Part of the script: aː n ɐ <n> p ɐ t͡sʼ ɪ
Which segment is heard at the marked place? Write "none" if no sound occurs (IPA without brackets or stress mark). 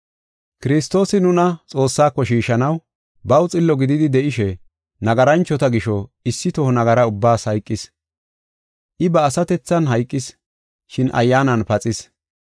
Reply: n